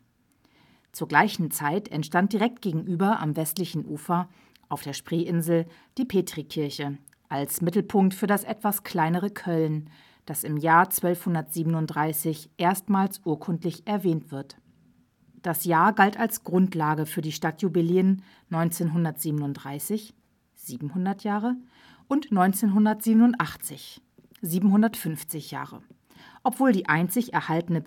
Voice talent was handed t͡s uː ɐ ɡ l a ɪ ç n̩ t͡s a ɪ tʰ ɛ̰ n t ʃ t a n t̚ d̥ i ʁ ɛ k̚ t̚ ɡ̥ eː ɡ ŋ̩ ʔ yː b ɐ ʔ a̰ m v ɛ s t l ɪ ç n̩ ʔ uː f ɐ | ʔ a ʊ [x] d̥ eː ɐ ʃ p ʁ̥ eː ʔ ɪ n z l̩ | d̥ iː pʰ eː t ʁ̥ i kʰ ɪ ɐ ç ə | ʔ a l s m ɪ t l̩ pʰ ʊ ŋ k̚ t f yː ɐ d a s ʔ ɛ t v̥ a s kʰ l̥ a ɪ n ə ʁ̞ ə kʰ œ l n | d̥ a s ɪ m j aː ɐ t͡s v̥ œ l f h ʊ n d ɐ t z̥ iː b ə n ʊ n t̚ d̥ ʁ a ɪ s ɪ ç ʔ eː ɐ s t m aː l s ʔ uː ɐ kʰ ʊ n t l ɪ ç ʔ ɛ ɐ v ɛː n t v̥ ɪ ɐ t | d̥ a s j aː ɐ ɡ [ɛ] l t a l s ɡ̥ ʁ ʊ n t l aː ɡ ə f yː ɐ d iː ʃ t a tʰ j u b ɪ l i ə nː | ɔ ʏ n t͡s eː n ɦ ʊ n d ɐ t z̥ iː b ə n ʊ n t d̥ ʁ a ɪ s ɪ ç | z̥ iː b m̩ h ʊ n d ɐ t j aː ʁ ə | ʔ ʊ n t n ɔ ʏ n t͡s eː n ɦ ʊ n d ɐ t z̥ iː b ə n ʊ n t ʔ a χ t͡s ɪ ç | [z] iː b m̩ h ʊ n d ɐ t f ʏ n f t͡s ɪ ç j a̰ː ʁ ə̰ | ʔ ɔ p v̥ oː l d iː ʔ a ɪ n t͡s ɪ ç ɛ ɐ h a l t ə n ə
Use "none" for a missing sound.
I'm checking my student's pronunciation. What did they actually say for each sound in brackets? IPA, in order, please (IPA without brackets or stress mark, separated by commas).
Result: f, a, z